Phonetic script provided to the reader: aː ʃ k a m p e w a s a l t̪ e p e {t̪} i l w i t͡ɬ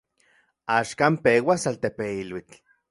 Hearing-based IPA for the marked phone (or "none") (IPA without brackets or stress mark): none